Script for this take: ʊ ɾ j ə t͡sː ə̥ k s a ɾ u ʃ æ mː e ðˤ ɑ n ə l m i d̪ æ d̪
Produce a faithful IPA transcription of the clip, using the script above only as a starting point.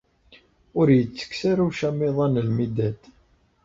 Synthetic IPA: ʊ ɾ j ə t͡sː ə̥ k s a ɾ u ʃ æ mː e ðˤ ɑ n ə l m i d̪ æ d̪